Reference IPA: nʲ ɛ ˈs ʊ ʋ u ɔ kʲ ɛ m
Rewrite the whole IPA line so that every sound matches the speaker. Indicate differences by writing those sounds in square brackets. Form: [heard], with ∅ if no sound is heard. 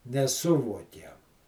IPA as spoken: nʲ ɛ ˈs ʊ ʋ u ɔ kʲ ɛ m